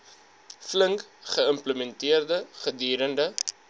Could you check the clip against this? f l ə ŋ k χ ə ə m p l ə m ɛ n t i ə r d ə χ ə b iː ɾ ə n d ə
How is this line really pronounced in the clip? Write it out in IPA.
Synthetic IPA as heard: f l ə ŋ k χ ə ə m p l ə m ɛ n t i ə r d ə χ ə d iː ɾ ə n d ə